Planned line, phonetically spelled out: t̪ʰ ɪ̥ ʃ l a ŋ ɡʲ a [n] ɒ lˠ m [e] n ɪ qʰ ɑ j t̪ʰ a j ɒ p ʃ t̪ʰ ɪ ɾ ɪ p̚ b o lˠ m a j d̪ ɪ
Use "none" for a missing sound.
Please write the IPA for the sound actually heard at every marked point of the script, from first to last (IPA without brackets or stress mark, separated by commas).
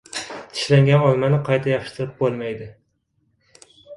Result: n, a